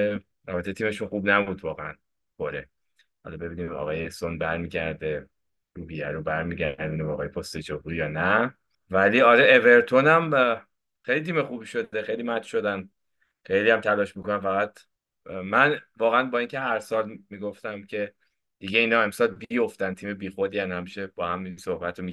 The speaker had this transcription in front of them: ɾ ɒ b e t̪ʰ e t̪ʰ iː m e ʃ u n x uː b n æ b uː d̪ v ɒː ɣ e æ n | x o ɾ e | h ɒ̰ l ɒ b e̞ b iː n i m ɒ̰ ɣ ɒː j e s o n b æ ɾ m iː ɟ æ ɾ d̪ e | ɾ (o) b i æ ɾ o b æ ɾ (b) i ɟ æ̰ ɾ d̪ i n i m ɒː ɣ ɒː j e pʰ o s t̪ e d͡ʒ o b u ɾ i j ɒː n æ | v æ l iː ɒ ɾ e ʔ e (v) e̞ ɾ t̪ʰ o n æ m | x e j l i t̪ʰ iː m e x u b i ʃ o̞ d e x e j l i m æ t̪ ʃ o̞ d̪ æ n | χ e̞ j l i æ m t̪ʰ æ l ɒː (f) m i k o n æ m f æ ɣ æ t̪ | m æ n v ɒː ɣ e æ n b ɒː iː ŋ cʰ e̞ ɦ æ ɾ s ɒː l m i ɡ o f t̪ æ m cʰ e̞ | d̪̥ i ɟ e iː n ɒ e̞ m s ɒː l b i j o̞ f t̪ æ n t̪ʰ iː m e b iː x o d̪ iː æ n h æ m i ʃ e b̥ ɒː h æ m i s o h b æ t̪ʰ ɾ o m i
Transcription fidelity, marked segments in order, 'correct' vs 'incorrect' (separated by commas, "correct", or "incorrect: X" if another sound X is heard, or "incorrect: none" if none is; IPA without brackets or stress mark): incorrect: u, incorrect: m, correct, incorrect: ʃ